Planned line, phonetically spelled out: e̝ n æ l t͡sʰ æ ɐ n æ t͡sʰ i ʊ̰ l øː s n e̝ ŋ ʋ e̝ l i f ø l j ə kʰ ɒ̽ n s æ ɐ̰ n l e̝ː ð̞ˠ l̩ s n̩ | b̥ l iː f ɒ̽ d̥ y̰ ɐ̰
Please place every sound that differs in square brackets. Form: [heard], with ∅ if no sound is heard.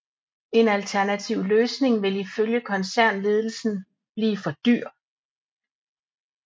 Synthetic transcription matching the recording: e̝ n æ l t͡sʰ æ ɐ n æ t͡sʰ i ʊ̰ l øː s n e̝ ŋ ʋ e̝ l i f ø l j ə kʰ ɒ̽ n s æ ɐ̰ n l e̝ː ð̞ˠ l̩ s n̩ | b̥ l iː f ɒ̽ d̥ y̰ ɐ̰

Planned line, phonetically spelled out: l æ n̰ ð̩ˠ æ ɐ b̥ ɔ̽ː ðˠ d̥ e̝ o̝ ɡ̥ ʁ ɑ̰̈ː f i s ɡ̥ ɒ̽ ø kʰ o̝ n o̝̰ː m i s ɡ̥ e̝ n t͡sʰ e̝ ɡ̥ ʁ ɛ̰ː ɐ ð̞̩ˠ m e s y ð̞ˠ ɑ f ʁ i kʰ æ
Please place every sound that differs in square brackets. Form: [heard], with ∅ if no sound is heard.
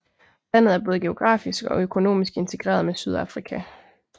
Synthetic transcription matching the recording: l æ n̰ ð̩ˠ æ ɐ b̥ ɔ̽ː ðˠ [ɡ̥] e̝ o̝ ɡ̥ ʁ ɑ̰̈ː f i s ɡ̥ ɒ̽ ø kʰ o̝ n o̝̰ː m i s ɡ̥ e̝ n t͡sʰ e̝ ɡ̥ ʁ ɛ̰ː ɐ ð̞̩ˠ m e s y ð̞ˠ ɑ f ʁ i kʰ æ

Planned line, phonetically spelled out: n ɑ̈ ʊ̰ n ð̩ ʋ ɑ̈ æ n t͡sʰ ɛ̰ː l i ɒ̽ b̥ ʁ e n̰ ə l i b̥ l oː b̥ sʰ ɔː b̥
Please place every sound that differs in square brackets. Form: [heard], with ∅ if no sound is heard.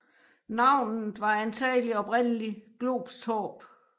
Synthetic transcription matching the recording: n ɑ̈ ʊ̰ n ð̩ ʋ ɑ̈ æ n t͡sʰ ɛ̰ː l i ɒ̽ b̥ ʁ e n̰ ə l i [ɡ̥] l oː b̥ sʰ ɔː b̥

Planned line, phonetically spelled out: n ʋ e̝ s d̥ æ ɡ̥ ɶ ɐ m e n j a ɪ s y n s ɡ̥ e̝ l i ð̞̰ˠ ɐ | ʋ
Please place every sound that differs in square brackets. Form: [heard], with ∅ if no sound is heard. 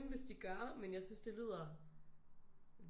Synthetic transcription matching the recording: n ʋ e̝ s d̥ [i] ɡ̥ ɶ ɐ m e n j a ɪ s y n s [d̥] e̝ l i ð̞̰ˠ ɐ | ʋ

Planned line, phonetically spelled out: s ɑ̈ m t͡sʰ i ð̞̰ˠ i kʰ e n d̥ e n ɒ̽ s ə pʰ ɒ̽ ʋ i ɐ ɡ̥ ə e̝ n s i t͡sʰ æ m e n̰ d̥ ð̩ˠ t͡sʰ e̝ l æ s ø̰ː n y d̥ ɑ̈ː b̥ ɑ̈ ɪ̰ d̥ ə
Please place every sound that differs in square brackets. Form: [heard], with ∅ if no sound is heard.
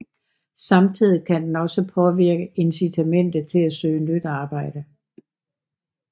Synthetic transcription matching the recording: s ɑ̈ m t͡sʰ i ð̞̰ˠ i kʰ [æ] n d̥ e n ɒ̽ s ə pʰ ɒ̽ ʋ i ɐ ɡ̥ ə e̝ n s i t͡sʰ æ m e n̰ d̥ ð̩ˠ t͡sʰ e̝ l æ s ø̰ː n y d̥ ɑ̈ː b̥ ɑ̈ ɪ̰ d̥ ə

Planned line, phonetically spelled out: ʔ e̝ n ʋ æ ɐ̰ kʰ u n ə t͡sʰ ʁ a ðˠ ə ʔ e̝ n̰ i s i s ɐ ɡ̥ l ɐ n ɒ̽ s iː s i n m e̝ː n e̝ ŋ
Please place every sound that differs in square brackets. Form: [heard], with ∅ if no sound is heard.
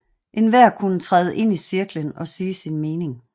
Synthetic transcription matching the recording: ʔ e̝ n ʋ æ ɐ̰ kʰ u n ə t͡sʰ ʁ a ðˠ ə ʔ e̝ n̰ i s i [∅] ɐ ɡ̥ l [ə] n ɒ̽ s iː s i n m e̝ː n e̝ ŋ

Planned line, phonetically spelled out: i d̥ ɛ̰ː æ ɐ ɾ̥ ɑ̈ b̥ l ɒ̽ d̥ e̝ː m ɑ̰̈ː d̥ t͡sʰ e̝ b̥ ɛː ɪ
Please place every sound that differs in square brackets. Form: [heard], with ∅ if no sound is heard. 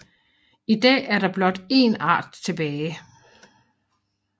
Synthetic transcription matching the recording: i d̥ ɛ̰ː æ ɐ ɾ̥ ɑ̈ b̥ l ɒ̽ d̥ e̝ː [n] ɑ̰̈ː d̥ t͡sʰ e̝ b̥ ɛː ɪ

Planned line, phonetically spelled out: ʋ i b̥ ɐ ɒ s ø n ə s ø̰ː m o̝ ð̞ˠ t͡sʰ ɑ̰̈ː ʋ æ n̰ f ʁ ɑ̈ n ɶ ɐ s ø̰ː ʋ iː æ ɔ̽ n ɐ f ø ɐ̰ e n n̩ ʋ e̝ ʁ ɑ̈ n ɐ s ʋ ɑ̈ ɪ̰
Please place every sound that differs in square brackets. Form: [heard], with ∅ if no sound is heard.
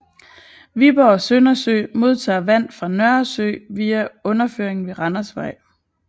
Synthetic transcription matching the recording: ʋ i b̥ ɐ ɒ s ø n [ɐ] s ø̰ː m o̝ ð̞ˠ t͡sʰ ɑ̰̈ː ʋ æ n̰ f ʁ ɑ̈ n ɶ ɐ s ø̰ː ʋ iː æ ɔ̽ n ɐ f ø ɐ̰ e [ŋ] n̩ ʋ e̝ ʁ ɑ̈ n ɐ s ʋ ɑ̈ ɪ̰

